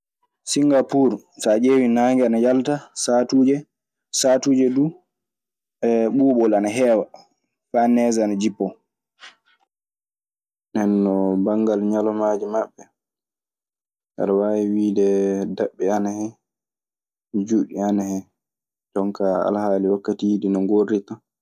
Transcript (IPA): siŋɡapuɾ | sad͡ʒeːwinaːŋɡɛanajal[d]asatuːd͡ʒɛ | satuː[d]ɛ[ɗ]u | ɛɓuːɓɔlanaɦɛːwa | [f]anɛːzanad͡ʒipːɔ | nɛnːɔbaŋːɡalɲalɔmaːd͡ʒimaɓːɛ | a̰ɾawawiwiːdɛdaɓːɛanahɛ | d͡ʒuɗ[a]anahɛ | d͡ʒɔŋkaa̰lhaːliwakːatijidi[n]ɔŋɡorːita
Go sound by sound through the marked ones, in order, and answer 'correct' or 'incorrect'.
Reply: incorrect, incorrect, incorrect, correct, incorrect, correct

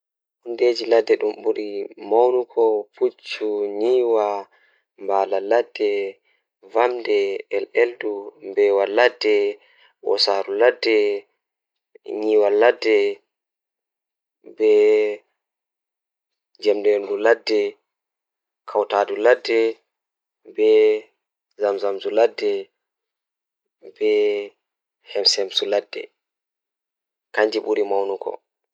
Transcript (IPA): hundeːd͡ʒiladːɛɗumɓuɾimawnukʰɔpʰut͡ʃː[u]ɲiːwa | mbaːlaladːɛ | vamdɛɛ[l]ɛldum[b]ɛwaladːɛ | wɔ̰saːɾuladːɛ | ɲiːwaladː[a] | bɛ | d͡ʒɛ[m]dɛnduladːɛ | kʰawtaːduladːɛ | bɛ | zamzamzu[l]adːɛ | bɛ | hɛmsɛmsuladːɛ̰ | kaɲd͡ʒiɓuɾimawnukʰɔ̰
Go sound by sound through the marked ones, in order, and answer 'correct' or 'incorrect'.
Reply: correct, correct, correct, incorrect, correct, correct

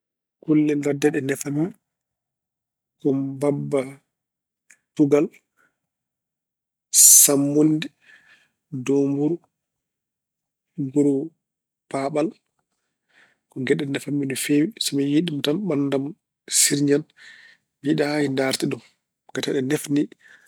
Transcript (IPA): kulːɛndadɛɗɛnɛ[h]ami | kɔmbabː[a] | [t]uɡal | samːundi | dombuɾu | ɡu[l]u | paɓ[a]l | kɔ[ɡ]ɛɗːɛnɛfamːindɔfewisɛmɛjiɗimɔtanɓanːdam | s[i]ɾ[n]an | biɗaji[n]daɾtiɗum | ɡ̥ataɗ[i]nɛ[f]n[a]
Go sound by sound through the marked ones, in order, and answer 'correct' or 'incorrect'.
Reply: incorrect, correct, correct, incorrect, correct, correct, correct, incorrect, correct, incorrect, correct, incorrect

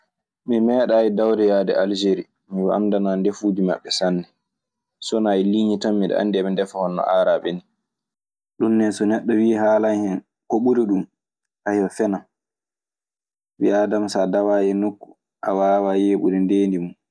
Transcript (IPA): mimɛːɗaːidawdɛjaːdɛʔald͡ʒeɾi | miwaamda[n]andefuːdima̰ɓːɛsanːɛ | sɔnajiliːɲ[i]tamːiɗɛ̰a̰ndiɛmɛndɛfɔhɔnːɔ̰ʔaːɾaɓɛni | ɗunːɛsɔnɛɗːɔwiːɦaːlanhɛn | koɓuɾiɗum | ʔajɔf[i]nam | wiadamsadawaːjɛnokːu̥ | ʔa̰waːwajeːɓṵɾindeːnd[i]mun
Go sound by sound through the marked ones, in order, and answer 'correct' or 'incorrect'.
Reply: correct, correct, incorrect, correct

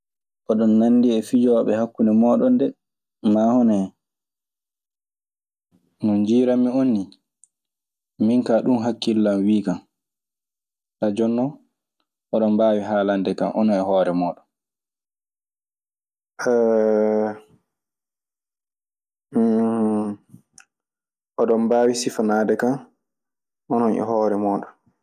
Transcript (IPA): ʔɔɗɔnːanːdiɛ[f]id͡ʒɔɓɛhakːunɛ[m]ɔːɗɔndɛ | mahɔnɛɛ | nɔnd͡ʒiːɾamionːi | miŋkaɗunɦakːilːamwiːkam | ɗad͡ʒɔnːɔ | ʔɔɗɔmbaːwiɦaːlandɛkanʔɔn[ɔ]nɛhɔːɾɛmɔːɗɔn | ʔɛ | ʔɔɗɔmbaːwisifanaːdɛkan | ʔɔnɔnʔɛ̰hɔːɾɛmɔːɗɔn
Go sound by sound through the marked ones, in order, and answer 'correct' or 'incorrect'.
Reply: correct, correct, correct

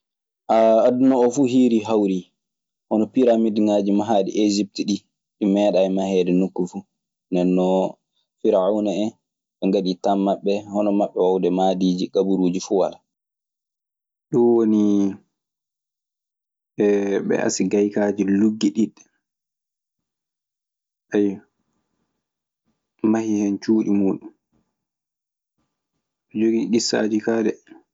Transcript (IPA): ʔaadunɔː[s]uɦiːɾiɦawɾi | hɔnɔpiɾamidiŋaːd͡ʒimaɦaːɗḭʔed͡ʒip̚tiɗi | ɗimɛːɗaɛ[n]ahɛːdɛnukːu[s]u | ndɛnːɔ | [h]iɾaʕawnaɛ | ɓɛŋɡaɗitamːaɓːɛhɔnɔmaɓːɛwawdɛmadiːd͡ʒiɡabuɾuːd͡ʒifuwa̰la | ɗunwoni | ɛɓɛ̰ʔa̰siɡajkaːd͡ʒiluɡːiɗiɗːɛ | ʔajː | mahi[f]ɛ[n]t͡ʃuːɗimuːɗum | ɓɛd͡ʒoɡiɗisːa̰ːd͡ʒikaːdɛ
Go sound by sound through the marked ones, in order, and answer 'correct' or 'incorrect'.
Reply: incorrect, incorrect, incorrect, incorrect, incorrect, correct

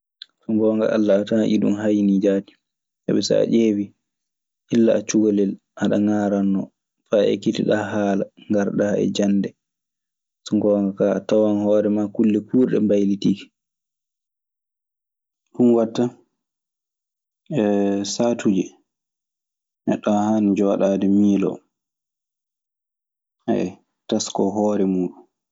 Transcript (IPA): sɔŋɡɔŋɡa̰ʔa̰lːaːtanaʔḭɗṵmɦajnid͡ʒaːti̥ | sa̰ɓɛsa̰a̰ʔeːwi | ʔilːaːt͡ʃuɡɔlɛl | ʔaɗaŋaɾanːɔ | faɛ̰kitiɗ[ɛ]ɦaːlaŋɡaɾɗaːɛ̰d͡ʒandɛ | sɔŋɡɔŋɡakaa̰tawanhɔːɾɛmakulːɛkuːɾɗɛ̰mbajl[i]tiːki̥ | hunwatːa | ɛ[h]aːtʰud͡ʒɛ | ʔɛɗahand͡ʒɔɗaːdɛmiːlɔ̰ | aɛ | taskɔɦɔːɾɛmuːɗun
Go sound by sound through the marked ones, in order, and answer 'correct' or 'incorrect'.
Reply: incorrect, correct, incorrect

